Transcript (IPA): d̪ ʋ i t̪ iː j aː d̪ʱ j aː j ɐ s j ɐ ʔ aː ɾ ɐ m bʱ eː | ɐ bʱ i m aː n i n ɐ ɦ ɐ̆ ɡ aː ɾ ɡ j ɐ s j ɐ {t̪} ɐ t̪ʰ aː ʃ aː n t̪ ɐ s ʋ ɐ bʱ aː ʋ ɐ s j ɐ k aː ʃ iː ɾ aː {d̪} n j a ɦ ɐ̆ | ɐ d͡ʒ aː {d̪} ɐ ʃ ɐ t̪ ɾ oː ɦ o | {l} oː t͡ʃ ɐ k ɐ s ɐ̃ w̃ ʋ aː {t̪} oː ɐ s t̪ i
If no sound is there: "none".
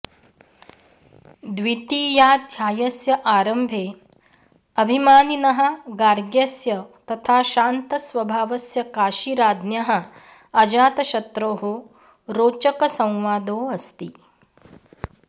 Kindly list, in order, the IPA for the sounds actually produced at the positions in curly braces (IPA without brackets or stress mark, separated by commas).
t̪, d̪, t̪, ɾ, d̪